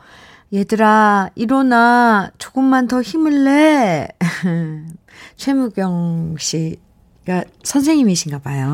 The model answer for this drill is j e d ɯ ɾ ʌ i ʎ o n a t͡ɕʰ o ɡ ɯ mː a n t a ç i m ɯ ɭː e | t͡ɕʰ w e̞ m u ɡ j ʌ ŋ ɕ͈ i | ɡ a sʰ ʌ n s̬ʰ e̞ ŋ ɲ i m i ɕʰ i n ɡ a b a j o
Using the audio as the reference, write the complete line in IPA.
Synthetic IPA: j e d ɯ ɾ a i ɾ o n a t͡ɕ o ɡ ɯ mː a n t ʌ ç i m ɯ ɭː e | t͡ɕʰ w e̞ m u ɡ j ʌ ŋ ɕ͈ i | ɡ a sʰ ʌ n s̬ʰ e̞ ŋ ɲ i m i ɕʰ i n ɡ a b a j o